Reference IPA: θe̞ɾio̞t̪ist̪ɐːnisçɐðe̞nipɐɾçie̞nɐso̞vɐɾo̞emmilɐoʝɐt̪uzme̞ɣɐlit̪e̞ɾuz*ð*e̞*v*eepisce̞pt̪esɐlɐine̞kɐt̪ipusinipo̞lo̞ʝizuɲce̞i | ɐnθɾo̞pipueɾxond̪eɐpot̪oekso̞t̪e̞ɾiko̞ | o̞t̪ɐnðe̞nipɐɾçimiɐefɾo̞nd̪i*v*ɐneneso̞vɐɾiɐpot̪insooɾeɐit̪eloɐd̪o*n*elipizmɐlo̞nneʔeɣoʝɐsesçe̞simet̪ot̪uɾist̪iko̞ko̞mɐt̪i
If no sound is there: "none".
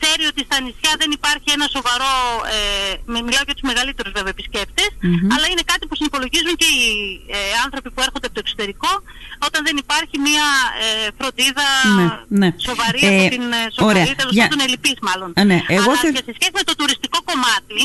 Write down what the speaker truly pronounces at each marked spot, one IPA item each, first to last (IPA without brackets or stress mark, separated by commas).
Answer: v, v, ð, n